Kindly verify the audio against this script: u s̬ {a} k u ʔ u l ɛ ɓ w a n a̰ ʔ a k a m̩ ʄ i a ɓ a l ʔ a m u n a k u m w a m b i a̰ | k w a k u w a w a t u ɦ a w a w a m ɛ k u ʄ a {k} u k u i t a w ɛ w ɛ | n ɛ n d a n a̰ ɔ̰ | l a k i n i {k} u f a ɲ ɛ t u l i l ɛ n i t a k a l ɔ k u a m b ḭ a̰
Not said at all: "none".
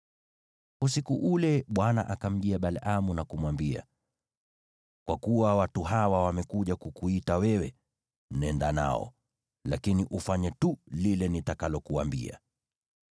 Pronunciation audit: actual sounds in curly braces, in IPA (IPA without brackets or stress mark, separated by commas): i, k, ʔ